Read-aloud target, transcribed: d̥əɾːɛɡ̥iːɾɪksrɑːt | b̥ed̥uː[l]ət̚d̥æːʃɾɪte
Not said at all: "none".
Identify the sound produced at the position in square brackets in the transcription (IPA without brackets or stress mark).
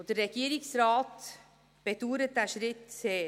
ɾ